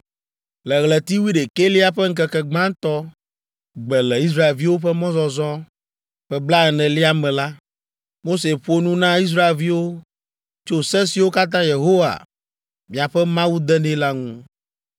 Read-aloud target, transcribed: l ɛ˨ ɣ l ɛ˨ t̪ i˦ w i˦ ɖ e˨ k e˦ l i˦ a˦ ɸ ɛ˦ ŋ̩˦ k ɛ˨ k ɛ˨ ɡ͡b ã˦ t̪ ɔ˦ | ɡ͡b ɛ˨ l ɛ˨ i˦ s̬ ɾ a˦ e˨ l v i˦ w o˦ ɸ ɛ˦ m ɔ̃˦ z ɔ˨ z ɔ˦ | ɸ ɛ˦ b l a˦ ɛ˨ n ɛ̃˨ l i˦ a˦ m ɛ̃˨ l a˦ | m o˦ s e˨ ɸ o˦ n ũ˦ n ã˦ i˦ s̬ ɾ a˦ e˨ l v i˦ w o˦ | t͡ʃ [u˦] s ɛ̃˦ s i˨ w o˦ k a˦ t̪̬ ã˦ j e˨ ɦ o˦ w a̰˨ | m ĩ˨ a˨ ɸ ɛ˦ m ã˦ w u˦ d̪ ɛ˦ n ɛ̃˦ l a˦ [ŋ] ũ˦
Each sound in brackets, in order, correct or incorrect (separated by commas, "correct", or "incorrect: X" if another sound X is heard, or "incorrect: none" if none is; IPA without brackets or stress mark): incorrect: o˦, correct